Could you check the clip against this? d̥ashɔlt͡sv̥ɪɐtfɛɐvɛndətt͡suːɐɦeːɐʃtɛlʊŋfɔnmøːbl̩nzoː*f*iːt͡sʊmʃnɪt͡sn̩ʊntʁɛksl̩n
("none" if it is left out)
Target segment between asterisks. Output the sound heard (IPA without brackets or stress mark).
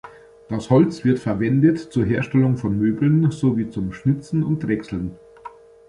v